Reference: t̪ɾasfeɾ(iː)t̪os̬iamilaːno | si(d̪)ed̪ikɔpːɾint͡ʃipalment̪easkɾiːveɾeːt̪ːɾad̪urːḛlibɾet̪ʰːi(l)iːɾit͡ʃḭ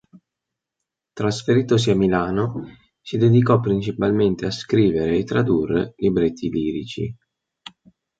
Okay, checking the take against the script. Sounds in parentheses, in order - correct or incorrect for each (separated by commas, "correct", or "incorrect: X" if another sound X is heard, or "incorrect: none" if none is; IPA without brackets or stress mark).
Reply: correct, correct, correct